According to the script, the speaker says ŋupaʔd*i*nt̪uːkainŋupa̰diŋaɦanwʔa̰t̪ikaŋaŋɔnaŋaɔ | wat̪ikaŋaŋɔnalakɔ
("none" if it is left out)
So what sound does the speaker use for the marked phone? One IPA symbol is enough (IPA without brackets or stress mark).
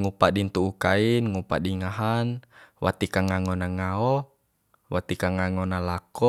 i